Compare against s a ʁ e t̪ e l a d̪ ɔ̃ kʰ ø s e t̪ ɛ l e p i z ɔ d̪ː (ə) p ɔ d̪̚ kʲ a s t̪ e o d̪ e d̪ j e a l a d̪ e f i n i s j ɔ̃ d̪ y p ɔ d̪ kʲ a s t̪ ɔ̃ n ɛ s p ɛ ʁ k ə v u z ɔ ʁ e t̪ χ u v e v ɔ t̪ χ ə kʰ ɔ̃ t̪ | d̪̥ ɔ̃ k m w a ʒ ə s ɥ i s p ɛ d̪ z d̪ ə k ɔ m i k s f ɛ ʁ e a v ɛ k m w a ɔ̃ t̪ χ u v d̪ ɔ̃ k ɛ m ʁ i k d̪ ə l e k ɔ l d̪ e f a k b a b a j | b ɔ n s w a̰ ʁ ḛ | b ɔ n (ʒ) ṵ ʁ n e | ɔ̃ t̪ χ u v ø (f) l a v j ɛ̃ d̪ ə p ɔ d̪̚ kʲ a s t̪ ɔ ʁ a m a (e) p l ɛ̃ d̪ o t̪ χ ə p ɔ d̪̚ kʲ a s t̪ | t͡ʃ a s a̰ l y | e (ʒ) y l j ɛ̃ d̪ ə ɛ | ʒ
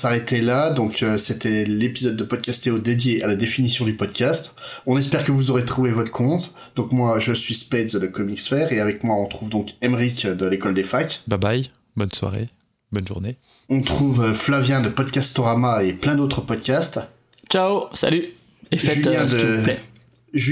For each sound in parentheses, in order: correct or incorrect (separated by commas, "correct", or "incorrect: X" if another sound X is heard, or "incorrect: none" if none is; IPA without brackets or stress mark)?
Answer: correct, correct, correct, correct, correct